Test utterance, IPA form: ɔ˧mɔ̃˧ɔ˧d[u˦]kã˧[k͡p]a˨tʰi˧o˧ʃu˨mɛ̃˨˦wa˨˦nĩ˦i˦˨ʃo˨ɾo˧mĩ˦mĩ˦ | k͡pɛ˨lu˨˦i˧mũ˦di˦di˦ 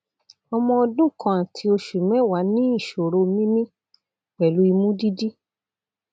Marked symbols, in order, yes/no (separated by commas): no, no